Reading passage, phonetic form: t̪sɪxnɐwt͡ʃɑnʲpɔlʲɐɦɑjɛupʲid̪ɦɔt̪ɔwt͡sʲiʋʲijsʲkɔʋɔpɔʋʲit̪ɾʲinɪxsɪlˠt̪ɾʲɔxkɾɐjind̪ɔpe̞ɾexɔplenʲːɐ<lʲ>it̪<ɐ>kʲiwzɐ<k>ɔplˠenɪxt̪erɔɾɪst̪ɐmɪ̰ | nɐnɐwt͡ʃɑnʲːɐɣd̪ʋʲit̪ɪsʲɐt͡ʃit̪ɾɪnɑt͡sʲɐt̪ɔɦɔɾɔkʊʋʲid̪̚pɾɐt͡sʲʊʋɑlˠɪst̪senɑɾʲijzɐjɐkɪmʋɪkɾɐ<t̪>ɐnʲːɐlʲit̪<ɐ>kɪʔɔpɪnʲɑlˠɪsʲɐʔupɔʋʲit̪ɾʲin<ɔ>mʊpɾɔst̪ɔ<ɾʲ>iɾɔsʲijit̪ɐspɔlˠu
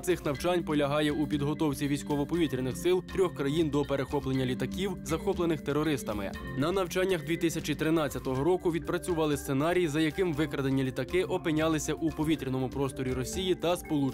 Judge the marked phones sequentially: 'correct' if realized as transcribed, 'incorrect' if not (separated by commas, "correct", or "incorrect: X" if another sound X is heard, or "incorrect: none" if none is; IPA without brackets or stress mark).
correct, correct, incorrect: x, incorrect: d̪, correct, correct, correct